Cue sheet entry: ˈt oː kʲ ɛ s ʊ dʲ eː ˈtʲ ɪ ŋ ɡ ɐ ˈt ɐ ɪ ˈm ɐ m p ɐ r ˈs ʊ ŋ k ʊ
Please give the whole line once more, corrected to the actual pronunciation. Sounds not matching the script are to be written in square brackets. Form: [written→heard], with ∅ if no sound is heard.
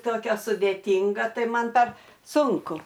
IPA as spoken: ˈt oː kʲ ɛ s ʊ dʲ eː ˈtʲ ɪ ŋ ɡ ɐ ˈt ɐ ɪ ˈm ɐ [m→n] p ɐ r ˈs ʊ ŋ k ʊ

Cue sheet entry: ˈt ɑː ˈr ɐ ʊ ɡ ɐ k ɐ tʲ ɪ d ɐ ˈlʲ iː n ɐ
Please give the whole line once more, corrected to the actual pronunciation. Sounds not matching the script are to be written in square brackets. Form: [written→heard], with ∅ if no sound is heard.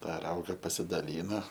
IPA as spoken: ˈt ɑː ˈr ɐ ʊ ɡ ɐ [k→p] ɐ [tʲ→sʲ] ɪ d ɐ ˈlʲ iː n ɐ

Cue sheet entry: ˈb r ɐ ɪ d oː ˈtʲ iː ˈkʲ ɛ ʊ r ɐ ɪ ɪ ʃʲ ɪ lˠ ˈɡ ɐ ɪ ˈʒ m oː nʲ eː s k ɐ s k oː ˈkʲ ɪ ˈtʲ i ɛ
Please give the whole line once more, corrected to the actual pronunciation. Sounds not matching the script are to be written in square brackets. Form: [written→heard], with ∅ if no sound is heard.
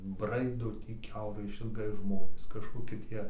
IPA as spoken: ˈb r ɐ ɪ d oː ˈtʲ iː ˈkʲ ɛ ʊ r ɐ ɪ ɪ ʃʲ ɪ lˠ ˈɡ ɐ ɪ ˈʒ m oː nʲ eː s k ɐ [s→ʃ] k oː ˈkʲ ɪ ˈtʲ i ɛ

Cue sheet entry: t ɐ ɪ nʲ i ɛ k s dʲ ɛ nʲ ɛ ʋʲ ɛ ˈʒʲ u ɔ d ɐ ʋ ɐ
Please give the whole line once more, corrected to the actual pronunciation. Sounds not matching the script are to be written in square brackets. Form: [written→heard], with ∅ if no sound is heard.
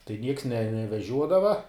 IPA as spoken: t ɐ ɪ nʲ i ɛ k s [dʲ→nʲ] ɛ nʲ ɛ ʋʲ ɛ ˈʒʲ u ɔ d ɐ ʋ ɐ

